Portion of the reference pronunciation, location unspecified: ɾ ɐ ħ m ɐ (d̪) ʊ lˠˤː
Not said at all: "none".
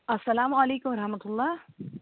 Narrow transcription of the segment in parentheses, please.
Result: t̪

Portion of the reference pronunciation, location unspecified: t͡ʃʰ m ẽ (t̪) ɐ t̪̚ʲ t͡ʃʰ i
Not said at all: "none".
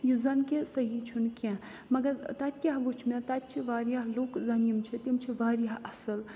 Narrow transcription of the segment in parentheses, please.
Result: t̪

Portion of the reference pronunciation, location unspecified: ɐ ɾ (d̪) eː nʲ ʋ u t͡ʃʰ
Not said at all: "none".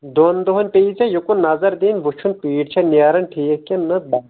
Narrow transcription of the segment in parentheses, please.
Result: d̪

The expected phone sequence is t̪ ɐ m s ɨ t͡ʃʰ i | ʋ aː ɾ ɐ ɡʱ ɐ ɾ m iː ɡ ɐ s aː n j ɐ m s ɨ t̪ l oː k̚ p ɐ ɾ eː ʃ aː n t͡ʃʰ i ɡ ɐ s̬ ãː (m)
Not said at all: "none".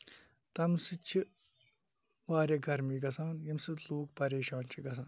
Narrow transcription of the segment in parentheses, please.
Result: n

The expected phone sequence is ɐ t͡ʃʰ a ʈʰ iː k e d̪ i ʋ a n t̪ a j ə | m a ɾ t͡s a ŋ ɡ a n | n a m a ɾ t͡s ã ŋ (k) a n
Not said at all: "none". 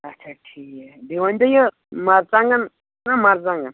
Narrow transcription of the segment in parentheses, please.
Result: ɡ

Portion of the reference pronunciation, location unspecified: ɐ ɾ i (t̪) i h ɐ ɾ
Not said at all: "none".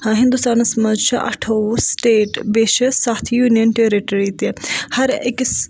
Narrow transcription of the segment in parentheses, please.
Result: t̪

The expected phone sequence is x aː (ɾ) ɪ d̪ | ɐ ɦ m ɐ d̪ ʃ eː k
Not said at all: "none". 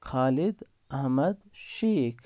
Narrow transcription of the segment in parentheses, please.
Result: l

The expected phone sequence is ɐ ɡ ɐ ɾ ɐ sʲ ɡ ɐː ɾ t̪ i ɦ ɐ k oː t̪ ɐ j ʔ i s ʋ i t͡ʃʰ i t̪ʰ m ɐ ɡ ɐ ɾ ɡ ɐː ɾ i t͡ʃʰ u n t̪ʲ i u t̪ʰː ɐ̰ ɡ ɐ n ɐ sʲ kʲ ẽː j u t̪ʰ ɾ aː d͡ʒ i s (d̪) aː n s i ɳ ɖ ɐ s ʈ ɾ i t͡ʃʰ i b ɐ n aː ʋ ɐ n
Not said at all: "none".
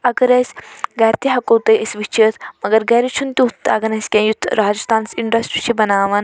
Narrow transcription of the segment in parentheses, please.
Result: t̪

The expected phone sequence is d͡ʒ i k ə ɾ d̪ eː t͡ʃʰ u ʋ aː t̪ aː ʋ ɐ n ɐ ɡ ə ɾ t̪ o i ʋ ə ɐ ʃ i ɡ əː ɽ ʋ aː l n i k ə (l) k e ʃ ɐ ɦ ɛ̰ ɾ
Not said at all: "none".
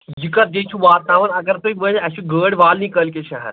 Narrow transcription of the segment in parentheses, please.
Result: l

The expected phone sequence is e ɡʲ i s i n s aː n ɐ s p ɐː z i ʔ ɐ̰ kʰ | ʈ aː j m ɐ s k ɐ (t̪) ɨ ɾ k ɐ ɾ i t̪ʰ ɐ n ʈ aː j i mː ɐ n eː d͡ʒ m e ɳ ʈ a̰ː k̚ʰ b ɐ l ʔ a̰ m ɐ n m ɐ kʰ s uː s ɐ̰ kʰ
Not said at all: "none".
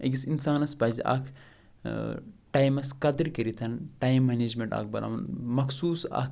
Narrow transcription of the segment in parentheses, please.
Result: d̪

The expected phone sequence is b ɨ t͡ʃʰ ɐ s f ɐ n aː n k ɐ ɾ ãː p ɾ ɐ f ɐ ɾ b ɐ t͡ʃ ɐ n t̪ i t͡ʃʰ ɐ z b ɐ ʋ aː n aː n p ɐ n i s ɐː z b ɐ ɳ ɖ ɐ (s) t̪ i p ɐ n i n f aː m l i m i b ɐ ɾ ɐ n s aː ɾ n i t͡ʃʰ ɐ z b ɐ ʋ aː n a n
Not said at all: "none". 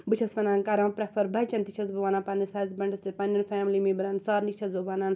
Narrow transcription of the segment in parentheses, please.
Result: s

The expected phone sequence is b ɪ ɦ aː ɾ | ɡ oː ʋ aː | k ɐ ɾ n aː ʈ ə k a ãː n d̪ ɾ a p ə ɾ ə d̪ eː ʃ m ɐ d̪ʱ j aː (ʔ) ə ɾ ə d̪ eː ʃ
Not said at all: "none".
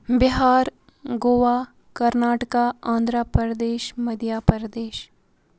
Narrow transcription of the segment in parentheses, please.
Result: p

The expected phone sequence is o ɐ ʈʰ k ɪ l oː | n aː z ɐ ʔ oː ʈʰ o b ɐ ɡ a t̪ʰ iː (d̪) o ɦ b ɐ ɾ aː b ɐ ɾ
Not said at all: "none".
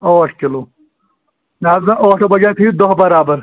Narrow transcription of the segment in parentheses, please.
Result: d̪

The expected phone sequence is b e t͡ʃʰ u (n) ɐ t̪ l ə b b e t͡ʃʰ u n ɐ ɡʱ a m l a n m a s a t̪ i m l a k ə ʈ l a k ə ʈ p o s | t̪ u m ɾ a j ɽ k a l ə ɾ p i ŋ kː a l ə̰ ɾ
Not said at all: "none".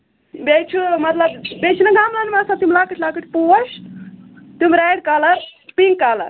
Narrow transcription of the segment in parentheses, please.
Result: m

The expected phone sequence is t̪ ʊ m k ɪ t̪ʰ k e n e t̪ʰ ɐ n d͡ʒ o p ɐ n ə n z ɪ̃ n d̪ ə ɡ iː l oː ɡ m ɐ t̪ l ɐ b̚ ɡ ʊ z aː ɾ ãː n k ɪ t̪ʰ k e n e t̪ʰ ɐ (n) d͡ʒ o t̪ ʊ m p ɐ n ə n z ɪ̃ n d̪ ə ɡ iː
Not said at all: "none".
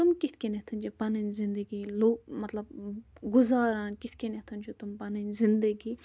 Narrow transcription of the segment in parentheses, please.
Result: n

